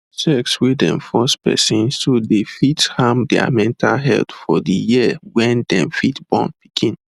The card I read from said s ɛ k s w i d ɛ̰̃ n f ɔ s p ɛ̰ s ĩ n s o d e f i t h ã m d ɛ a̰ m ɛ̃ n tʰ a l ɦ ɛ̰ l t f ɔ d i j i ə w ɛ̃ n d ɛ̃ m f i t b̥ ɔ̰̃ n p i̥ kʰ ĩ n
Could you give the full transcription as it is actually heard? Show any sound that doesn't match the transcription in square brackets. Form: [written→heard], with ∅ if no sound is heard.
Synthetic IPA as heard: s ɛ k s w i d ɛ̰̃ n f ɔ s p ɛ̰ s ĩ n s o d e f i t h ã m d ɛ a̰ m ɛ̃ n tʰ a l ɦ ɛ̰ l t f ɔ d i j i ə w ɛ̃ n d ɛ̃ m f i t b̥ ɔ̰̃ n p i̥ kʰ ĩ n